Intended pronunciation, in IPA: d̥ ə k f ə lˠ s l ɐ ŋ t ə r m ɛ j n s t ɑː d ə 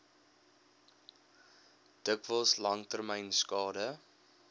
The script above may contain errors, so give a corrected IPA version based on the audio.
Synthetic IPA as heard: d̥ ə k v ə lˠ s l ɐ ŋ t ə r m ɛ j n s k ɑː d ə